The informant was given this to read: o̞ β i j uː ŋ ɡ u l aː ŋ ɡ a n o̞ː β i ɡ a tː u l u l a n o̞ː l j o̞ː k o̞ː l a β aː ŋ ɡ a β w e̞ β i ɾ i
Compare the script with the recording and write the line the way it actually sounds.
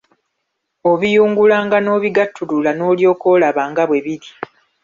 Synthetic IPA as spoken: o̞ β i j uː ŋ ɡ u l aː ŋ ɡ a n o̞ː β i ɡ a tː u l u l a n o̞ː l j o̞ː k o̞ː l a β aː ŋ ɡ a β w e̞ β i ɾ i